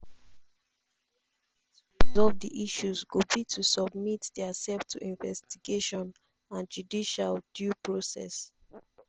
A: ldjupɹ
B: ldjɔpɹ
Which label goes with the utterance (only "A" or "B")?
A